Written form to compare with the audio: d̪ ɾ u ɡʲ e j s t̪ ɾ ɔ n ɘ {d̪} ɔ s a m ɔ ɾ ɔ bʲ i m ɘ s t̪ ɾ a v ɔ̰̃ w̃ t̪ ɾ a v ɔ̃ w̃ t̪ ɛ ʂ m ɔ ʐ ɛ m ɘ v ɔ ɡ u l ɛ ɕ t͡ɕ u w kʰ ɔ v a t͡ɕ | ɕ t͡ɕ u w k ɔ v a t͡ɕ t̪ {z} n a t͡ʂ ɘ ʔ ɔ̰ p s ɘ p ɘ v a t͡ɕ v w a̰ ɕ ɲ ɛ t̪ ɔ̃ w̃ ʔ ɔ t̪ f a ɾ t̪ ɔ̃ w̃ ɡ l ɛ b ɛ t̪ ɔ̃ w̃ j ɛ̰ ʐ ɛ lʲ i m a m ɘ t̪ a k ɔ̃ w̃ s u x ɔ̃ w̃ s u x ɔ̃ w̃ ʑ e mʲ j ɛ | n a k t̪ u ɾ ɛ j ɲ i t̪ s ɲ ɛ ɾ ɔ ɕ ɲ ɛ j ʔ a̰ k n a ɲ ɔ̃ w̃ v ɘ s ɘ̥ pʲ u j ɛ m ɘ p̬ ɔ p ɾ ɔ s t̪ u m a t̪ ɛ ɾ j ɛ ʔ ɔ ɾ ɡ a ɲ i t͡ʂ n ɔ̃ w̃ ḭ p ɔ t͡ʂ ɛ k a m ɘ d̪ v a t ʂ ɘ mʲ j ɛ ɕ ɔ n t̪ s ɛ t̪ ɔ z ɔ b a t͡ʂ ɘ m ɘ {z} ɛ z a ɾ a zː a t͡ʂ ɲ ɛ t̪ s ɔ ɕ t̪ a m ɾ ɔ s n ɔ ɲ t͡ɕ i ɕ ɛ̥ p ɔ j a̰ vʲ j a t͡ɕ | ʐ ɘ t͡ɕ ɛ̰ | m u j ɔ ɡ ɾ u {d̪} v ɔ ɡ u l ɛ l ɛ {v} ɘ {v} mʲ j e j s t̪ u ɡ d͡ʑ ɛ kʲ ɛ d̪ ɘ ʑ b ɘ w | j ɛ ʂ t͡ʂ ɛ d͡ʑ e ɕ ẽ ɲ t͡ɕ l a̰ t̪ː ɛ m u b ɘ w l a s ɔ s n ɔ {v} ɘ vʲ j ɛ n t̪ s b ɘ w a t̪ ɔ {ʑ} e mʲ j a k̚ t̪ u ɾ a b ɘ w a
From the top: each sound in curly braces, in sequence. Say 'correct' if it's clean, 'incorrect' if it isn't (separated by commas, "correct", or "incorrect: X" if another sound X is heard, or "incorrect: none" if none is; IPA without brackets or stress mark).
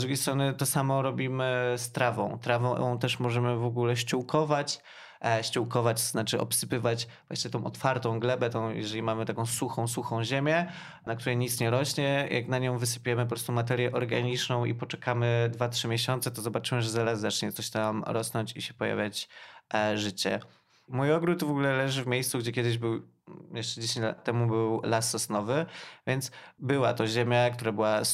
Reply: incorrect: t̪, correct, incorrect: ʐ, incorrect: t̪, incorrect: ʐ, correct, correct, correct